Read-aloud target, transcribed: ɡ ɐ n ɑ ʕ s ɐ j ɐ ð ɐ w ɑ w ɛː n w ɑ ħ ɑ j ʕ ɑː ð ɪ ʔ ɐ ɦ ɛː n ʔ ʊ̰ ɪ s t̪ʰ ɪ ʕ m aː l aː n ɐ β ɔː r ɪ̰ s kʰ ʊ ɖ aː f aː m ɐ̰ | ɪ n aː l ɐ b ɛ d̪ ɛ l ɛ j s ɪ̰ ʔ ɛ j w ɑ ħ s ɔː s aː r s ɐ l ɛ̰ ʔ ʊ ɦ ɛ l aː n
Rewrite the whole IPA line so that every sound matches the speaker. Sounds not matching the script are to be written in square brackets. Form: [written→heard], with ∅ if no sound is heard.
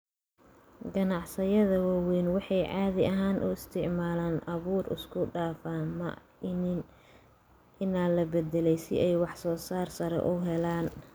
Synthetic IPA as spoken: ɡ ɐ n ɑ ʕ s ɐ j ɐ ð ɐ w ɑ w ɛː n w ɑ ħ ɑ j ʕ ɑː ð ɪ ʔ ɐ ɦ [ɛː→aː] n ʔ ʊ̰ ɪ s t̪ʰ ɪ ʕ m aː l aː n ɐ β [ɔː→uː] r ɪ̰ s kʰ ʊ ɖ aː f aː m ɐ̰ | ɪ n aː l ɐ b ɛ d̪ ɛ l ɛ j s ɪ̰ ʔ ɛ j w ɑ ħ s ɔː s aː r s ɐ [l→ɾ] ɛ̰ ʔ ʊ ɦ ɛ l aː n